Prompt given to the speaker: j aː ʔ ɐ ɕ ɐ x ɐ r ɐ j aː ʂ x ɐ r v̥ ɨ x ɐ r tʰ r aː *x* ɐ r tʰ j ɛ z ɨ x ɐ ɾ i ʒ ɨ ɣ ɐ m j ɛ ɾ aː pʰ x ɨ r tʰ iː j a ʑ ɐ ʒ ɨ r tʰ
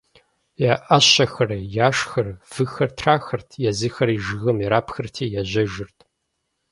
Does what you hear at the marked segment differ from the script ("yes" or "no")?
no